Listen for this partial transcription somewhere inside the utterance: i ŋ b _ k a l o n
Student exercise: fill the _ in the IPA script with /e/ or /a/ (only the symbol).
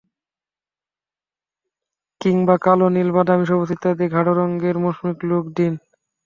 a